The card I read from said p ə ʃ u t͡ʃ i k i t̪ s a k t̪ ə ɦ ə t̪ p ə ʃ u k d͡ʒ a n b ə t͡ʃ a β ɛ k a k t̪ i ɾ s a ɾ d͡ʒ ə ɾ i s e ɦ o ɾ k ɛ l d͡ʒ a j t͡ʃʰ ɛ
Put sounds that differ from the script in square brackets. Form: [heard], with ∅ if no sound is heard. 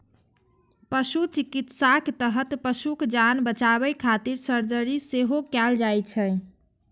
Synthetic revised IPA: p ə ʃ u t͡ʃ i k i t̪ s a k t̪ ə ɦ ə t̪ p ə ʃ u k d͡ʒ a n b ə t͡ʃ a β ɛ [kʰ] a [∅] t̪ i ɾ s [ə] ɾ d͡ʒ ə ɾ i s e ɦ o [∅] k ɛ l d͡ʒ a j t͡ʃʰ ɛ